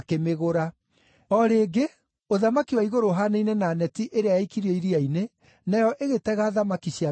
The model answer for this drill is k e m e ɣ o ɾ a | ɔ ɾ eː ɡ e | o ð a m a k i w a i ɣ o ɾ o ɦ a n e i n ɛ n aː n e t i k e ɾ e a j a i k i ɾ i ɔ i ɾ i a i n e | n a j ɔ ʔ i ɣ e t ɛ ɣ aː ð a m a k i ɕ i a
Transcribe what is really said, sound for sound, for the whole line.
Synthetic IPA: k e m e ɣ o ɾ a | ɔ ɾ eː ɡ e | o ð a m a k i w a i ɣ o ɾ o ɦ a n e i n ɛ n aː n ɛ t i ʔ e ɾ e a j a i k i ɾ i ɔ i ɾ i a i n e | n a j ɔ ʔ e ɣ e t ɛ ɣ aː ð a m a k i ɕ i a